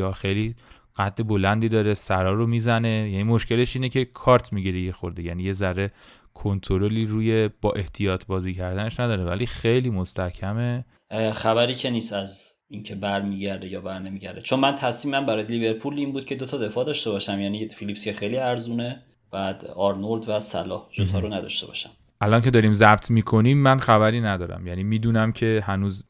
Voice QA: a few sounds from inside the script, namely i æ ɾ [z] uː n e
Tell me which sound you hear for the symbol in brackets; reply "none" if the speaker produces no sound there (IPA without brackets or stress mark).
z